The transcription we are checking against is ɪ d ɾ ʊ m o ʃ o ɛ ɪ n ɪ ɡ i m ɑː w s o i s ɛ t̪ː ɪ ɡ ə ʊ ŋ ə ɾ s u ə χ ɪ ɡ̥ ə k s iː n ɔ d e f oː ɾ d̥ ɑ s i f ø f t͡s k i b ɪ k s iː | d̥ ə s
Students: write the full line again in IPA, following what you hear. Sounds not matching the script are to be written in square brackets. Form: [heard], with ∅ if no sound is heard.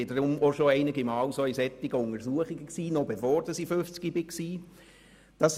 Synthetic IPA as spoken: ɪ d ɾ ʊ m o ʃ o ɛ ɪ n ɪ ɡ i m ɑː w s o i s ɛ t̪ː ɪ ɡ ə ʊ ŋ ə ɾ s u ə χ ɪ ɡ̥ ə k s iː n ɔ [b] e f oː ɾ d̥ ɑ s i f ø f t͡s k i b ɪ k s iː | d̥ [ɑ] s